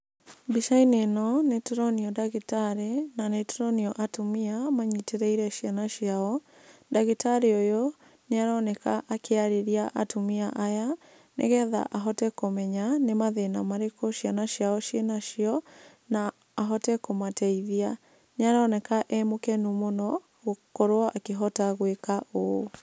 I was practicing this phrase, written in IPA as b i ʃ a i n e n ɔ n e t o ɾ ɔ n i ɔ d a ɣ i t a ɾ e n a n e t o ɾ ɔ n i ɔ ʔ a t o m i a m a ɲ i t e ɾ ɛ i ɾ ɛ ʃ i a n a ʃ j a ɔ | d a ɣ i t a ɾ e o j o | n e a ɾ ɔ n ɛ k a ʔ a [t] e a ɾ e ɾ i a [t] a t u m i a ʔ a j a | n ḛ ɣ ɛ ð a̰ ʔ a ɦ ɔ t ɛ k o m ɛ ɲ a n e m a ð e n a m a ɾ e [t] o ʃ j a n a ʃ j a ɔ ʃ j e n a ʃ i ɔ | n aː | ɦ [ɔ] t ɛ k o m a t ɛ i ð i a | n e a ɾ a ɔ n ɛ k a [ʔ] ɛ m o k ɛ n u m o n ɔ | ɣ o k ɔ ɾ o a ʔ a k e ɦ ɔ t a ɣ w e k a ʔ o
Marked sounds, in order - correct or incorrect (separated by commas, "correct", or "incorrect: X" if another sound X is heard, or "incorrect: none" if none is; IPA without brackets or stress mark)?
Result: incorrect: k, incorrect: ʔ, incorrect: k, correct, correct